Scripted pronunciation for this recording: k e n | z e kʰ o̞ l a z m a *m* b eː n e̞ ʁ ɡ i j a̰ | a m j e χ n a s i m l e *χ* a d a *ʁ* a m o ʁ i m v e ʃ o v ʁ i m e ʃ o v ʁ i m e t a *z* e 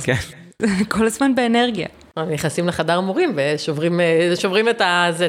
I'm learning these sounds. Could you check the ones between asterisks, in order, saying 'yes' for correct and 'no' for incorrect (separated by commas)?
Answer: no, yes, yes, yes